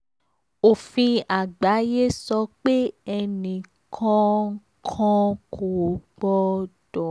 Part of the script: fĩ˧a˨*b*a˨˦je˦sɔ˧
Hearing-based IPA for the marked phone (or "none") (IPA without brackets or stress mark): ɡ͡b